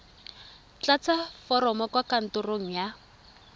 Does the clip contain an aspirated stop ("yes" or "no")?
no